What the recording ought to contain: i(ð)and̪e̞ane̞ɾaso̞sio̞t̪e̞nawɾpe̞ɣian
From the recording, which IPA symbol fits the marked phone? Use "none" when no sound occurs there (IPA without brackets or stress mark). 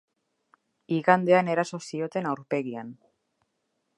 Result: ɣ